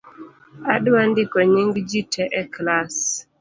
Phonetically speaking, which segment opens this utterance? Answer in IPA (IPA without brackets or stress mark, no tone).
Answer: a